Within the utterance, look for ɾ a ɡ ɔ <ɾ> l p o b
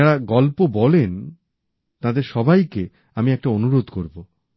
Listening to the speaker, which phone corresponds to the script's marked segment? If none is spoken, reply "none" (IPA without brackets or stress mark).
none